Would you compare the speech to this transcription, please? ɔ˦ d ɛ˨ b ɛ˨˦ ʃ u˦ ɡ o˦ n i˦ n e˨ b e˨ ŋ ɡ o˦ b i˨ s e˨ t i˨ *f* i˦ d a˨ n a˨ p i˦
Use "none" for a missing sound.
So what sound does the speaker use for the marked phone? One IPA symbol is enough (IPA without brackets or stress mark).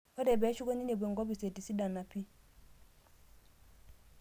s